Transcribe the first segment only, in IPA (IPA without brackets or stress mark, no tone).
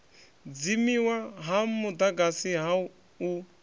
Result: d͡z